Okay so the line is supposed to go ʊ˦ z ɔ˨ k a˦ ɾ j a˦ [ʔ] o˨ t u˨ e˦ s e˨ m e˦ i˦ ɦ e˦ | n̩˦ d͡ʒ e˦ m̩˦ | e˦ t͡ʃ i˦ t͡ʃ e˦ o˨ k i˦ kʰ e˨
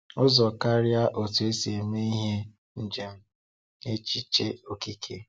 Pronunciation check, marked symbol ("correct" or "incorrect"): correct